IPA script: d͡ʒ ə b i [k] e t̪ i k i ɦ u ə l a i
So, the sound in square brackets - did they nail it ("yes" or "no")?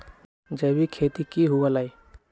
no